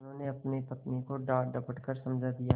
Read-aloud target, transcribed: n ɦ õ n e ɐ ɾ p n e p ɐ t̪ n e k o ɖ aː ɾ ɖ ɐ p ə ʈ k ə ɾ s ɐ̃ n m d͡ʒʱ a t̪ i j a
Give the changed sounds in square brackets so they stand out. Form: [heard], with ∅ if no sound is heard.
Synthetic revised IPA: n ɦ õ n e ɐ [∅] p n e p ɐ t̪ n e k o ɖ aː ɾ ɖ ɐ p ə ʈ k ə ɾ s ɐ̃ [∅] m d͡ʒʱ a [d̪] i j a